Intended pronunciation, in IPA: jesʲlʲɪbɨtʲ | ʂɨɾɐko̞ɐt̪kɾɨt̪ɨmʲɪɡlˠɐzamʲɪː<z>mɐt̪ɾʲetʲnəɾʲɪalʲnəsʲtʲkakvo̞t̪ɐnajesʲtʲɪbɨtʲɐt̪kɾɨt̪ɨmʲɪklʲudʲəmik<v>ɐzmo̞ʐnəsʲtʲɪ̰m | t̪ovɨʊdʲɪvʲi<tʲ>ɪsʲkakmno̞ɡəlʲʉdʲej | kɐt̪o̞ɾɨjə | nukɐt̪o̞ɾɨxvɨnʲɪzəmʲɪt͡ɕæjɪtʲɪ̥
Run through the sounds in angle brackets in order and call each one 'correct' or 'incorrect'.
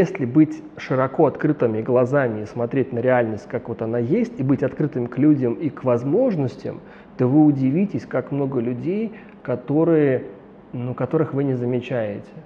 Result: incorrect, correct, correct

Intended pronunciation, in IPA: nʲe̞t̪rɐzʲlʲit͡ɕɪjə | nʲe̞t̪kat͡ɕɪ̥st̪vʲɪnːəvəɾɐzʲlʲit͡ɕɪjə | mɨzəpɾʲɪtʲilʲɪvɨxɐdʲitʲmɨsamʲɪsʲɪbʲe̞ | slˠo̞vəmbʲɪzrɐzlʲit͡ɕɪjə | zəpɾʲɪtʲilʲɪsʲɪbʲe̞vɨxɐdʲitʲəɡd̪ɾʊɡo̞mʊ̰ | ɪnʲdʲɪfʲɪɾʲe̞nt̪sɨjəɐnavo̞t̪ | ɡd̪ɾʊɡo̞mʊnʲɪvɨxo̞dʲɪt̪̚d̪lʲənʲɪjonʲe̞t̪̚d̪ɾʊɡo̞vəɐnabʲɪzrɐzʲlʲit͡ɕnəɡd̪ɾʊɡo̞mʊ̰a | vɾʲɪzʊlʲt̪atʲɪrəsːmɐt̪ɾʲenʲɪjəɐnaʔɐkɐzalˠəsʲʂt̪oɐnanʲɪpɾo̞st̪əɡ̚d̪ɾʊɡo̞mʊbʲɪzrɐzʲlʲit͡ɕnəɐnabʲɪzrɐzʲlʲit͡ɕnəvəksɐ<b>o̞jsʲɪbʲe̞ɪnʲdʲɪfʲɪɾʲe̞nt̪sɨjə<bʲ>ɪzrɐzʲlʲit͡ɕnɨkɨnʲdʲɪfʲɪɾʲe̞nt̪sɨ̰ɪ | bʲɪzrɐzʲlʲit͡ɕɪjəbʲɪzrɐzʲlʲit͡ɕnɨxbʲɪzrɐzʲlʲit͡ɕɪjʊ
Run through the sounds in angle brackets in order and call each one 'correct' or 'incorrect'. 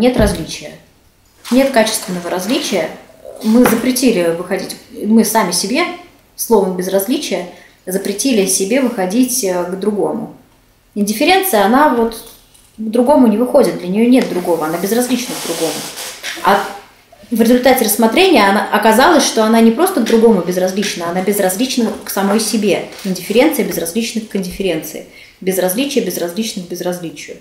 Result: incorrect, correct

